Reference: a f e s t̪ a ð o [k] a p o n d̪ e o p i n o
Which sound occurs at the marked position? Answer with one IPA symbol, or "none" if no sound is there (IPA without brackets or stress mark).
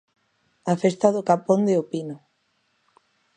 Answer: k